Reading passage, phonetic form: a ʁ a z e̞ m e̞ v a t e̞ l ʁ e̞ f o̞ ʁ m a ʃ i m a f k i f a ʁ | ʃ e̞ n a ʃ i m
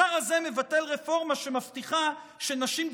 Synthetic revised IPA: a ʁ a z e̞ m e̞ v a t e̞ l ʁ e̞ f o̞ ʁ m a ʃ e m a f t i χ a | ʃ e̞ n a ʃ i m